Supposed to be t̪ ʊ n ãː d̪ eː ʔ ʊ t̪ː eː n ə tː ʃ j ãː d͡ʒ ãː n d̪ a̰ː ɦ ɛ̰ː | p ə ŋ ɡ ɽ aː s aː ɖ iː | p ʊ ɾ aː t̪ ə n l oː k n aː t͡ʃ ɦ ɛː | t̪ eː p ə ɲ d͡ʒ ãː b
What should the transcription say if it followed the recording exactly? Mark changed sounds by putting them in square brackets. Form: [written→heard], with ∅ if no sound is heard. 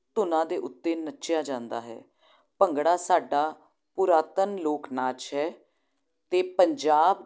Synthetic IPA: t̪ ʊ n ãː d̪ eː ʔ ʊ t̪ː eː n ə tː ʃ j [ãː→aː] d͡ʒ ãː n d̪ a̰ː ɦ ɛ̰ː | p ə ŋ ɡ ɽ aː s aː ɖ [iː→aː] | p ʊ ɾ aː t̪ ə n l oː k n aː t͡ʃ ɦ ɛː | t̪ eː p ə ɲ d͡ʒ [ãː→aː] b